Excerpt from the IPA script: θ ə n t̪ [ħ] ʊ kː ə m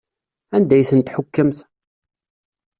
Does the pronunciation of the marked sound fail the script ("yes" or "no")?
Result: no